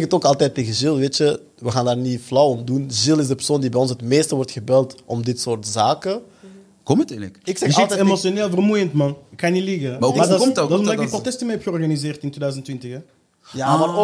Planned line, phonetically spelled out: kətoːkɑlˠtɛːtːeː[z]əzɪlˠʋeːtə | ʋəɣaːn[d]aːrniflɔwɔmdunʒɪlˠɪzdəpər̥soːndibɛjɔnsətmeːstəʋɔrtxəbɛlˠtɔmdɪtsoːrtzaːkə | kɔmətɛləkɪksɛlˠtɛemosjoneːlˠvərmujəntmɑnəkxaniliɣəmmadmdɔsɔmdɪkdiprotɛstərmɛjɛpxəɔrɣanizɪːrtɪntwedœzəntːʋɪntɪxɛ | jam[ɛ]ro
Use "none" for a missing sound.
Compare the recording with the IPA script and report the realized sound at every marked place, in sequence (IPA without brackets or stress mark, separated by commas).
ɣ, d, a